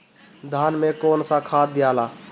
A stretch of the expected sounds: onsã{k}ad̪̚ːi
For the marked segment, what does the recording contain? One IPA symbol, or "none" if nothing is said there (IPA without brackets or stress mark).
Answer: kʰ